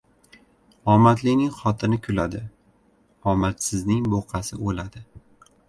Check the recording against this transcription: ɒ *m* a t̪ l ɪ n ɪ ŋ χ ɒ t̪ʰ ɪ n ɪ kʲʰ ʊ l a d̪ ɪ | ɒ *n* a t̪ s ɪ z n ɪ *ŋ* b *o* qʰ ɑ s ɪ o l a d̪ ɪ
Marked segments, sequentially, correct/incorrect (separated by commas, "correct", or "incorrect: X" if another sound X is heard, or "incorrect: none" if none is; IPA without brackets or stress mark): correct, incorrect: m, correct, correct